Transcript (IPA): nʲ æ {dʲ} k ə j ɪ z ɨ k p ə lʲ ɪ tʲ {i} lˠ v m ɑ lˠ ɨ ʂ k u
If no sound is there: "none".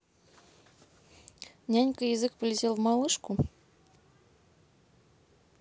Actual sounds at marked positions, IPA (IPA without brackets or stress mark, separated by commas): nʲ, e